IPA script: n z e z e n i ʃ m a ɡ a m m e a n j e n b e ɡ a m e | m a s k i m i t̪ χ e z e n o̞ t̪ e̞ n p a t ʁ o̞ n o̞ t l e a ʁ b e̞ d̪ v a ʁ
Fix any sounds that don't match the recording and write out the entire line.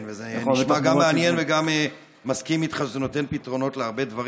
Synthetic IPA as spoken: n v e z e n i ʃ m a ɡ a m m e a n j e n v e ɡ a m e | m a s k i m i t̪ χ a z e n o̞ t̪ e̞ n p i t ʁ o̞ n o̞ t l e a ʁ b e̞ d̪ v a ʁ